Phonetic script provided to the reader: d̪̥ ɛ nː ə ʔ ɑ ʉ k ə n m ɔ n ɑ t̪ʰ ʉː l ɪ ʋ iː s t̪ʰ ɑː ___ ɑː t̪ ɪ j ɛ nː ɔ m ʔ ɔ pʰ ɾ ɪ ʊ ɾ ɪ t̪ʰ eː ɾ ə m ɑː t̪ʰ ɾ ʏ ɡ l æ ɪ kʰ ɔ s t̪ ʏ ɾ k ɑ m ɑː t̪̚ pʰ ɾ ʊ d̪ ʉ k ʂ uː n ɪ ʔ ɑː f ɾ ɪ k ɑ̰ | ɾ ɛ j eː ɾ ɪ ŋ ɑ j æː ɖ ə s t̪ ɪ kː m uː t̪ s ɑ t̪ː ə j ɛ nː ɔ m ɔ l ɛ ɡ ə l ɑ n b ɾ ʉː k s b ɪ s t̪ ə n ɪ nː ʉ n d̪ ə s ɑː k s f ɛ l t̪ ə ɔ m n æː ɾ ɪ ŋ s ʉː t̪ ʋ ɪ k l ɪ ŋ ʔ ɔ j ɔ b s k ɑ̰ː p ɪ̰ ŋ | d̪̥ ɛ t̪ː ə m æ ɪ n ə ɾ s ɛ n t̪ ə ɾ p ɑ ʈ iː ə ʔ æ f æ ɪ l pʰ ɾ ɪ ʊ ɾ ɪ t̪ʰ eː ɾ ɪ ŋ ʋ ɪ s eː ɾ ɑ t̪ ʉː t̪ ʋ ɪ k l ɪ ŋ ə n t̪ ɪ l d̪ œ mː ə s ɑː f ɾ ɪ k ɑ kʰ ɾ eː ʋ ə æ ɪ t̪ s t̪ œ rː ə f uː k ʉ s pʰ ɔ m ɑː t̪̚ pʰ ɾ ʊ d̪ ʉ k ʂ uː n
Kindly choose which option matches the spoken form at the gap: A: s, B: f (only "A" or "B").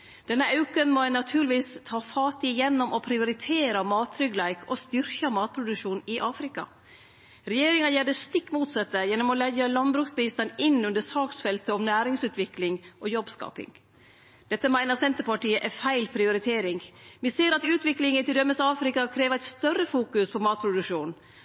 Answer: B